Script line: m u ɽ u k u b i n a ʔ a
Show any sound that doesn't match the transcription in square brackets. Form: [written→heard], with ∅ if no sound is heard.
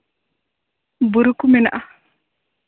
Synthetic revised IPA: [m→b] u [ɽ→ɾ] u k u [b→m] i n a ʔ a